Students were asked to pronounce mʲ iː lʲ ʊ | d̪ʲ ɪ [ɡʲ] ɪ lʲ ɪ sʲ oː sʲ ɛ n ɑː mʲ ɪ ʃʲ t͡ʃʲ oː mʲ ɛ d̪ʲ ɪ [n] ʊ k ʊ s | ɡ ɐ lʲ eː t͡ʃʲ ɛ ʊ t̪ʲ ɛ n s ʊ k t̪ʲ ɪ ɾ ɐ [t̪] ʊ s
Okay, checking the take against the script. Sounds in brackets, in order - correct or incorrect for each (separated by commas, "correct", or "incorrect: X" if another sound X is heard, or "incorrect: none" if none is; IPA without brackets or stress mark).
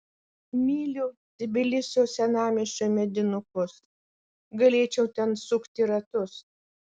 incorrect: bʲ, correct, correct